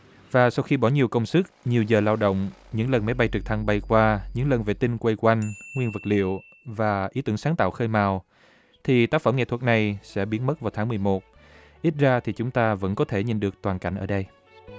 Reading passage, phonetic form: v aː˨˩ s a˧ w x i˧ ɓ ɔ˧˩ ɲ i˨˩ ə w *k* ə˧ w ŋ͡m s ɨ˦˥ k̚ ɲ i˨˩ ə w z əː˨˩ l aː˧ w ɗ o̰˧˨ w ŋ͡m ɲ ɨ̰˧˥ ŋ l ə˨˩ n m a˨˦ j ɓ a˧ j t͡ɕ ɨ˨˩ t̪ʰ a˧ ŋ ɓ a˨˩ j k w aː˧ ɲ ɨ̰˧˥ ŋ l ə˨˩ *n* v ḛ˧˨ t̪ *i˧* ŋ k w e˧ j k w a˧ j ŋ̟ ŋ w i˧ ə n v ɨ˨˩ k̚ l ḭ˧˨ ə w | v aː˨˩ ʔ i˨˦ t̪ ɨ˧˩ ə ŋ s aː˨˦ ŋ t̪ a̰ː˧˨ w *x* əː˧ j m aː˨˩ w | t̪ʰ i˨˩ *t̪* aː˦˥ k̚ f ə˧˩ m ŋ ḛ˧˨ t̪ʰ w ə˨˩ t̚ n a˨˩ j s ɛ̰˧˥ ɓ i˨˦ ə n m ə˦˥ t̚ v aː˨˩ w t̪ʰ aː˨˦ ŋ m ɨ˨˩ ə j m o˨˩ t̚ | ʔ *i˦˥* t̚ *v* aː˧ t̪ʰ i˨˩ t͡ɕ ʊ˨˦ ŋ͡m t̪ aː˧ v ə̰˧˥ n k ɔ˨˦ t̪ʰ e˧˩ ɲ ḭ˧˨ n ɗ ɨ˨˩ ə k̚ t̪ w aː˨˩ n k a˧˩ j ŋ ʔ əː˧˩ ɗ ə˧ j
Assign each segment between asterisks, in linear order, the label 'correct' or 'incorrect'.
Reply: correct, correct, correct, correct, correct, correct, incorrect: z

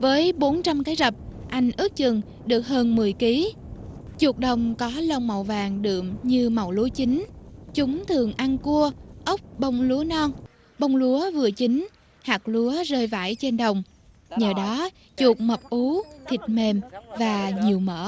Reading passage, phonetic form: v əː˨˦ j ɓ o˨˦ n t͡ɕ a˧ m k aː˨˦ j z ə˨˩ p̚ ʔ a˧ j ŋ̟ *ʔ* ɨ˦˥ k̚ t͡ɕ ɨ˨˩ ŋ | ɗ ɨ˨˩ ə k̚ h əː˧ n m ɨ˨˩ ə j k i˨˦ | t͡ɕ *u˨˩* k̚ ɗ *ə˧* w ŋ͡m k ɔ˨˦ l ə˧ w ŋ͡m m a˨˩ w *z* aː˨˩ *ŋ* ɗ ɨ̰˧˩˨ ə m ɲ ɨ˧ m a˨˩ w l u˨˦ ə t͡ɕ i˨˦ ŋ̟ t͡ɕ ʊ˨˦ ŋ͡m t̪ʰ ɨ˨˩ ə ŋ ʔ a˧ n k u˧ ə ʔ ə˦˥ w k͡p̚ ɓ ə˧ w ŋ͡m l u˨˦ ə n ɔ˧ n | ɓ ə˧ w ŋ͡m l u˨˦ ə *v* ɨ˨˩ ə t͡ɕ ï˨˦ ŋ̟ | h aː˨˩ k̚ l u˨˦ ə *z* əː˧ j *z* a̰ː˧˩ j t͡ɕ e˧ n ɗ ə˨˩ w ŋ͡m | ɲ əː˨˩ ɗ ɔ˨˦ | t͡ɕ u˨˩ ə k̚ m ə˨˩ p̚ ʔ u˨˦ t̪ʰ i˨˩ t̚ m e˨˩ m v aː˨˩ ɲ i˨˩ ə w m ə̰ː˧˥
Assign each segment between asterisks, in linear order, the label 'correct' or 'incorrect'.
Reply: correct, correct, incorrect: ə˨˩, incorrect: v, correct, correct, correct, incorrect: v

